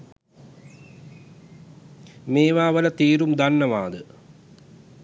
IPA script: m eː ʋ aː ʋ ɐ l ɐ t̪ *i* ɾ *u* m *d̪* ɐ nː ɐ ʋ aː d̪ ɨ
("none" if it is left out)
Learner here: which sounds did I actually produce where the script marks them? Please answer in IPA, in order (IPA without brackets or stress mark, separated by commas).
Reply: iː, u, d̪